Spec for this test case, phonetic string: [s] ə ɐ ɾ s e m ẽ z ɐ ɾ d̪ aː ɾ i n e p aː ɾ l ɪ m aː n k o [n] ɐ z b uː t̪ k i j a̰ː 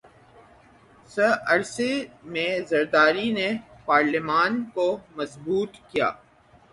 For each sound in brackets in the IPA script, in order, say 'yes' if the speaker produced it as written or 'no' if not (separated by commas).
yes, no